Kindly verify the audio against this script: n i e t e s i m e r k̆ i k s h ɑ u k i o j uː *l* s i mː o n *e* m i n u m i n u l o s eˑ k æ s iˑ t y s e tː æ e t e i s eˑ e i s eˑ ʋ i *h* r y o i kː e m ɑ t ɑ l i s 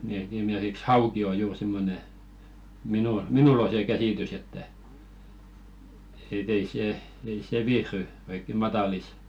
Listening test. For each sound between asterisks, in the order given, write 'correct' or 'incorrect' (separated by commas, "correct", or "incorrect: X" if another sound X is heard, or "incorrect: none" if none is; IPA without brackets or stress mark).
incorrect: r, correct, correct